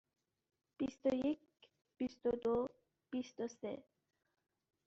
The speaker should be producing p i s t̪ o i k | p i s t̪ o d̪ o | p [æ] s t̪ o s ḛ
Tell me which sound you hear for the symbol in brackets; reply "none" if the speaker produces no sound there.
i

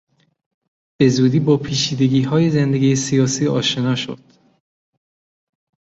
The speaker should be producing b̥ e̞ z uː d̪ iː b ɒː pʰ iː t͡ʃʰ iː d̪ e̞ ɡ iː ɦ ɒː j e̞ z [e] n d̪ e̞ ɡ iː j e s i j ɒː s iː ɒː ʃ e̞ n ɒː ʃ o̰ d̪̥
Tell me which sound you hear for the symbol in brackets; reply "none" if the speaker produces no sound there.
e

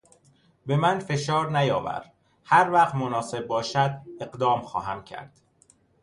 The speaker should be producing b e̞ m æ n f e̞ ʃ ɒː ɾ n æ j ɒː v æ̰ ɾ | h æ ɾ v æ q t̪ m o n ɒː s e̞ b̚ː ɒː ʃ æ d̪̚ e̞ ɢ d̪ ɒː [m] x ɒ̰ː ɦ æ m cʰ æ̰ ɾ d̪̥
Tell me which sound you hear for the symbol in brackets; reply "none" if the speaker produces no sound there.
m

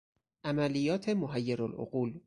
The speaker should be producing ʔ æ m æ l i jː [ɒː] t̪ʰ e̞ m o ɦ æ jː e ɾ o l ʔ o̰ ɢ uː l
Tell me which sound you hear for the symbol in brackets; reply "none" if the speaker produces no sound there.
ɒː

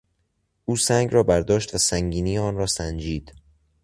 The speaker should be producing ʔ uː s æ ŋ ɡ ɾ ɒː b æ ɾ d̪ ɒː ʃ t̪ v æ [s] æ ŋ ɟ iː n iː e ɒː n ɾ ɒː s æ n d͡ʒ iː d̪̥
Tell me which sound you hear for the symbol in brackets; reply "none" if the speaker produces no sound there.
s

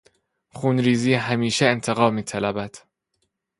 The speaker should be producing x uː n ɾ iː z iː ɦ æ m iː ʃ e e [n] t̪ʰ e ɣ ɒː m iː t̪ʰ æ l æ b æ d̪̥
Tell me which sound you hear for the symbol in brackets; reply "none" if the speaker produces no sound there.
n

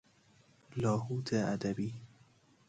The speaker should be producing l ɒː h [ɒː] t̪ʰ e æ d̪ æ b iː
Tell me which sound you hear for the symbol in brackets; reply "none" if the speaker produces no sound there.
uː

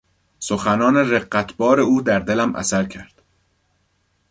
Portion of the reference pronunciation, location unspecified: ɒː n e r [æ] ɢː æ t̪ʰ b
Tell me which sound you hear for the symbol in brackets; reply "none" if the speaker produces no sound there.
e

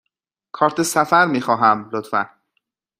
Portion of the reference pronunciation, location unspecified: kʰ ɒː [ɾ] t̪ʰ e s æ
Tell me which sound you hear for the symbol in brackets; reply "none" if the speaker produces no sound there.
ɾ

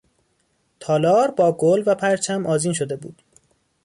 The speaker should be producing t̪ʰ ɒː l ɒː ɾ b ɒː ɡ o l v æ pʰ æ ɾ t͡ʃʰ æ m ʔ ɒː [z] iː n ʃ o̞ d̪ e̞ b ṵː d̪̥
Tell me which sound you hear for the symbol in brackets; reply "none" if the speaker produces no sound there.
z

